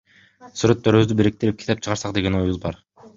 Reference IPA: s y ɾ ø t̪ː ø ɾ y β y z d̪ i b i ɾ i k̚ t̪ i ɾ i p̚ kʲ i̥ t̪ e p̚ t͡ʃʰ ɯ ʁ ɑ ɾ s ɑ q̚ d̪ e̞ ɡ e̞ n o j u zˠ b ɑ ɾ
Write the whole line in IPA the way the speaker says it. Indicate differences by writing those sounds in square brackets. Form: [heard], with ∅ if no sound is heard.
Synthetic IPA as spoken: s y ɾ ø t̪ː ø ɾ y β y z d̪ [y] b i ɾ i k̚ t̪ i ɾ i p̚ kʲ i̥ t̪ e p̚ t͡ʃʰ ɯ ʁ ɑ ɾ s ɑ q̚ d̪ e̞ ɡ e̞ n o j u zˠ b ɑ ɾ

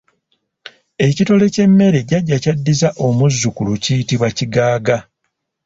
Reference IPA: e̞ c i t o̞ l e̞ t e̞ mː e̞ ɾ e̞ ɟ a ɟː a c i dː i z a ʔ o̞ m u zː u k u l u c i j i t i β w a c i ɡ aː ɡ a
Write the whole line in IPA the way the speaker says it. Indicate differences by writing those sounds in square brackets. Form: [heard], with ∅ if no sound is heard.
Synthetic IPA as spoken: e̞ c i t o̞ l e̞ [c] e̞ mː e̞ ɾ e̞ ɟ a ɟː a c [a] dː i z a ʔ o̞ m u zː u k u l u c i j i t i β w a c i ɡ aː ɡ a

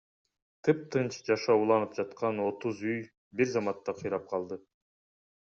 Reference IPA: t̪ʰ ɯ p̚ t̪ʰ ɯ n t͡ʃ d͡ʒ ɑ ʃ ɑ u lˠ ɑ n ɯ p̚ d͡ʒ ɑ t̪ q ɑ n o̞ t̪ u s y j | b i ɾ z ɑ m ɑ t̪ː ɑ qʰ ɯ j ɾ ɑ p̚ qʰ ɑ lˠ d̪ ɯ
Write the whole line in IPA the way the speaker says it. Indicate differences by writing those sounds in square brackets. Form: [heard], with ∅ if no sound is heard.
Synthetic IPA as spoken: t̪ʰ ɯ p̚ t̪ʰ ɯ n t͡ʃ d͡ʒ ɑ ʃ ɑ u lˠ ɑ n ɯ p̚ d͡ʒ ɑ t̪ q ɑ n o̞ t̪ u [z] y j | b i ɾ z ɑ m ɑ t̪ː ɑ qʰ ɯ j ɾ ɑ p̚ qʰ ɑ lˠ d̪ ɯ

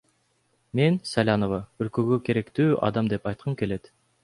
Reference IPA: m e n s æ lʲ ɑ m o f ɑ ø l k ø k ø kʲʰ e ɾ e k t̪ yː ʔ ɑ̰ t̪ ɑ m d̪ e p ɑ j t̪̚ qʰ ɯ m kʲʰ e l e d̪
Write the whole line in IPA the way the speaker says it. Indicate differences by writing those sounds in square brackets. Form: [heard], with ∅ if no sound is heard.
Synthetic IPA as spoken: m e n s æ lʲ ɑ [n] o [v] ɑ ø l k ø [ɡ] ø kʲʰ e ɾ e k t̪ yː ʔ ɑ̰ [d̪] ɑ m d̪ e p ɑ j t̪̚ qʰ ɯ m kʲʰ e l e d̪

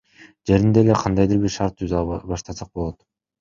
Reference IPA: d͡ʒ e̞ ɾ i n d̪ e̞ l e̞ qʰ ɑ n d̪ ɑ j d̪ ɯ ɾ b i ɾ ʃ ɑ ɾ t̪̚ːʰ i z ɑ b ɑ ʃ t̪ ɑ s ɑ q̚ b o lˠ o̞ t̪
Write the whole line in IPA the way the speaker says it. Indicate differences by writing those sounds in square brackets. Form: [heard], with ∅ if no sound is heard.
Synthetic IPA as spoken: d͡ʒ e̞ ɾ i n d̪ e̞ l e̞ qʰ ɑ n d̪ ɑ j d̪ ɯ ɾ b i ɾ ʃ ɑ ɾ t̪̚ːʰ [y] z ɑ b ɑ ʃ t̪ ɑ s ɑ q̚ b o lˠ o̞ t̪

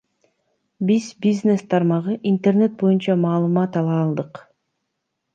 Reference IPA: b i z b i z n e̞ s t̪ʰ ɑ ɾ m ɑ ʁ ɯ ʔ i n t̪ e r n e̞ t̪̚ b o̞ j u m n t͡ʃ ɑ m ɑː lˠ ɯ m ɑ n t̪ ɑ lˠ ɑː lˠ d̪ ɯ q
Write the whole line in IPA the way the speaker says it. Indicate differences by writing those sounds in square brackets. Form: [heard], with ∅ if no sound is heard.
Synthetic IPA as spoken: b i z b i z n e̞ s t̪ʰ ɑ ɾ m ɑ ʁ ɯ ʔ i n t̪ e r n e̞ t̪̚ b o̞ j u [∅] n t͡ʃ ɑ m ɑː lˠ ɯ m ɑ [∅] t̪ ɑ lˠ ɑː lˠ d̪ ɯ q

